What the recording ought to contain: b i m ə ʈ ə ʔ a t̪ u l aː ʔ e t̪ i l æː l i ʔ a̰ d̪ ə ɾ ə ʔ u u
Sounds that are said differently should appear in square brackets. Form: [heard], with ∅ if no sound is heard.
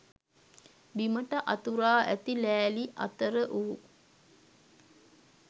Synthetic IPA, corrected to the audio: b i m ə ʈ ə ʔ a t̪ u [ɾ] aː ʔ [æ] t̪ i l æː l i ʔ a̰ [t̪] ə ɾ ə ʔ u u